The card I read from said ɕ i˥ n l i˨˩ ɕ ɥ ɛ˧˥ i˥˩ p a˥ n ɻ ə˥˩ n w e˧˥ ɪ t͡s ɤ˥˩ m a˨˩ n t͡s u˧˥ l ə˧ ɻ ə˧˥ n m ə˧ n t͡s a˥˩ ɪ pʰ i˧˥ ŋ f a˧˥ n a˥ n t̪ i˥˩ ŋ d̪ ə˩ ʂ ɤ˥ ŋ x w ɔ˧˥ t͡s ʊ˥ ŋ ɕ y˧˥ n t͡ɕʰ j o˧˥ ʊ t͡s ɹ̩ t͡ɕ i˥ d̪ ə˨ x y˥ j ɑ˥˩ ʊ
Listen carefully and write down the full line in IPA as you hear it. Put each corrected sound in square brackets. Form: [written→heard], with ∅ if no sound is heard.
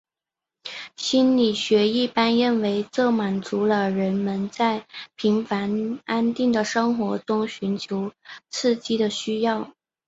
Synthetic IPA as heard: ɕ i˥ n l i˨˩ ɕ ɥ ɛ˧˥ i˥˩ p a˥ n ɻ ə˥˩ n w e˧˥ ɪ t͡s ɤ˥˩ m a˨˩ n t͡s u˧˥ l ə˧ ɻ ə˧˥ n m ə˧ n t͡s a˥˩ ɪ pʰ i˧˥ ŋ f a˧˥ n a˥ n t̪ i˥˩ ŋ d̪ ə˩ ʂ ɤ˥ ŋ x w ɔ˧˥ t͡s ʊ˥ ŋ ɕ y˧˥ n t͡ɕʰ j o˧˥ ʊ [t͡s→t͡sʰ] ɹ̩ t͡ɕ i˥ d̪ ə˨ [x→ɕ] y˥ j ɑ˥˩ ʊ